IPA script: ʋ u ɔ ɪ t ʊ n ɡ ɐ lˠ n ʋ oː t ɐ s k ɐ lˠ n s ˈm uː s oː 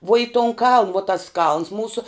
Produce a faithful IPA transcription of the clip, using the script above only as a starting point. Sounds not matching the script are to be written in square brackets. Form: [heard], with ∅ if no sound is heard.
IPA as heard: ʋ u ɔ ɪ t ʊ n [k] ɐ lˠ n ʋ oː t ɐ s k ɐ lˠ n s ˈm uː s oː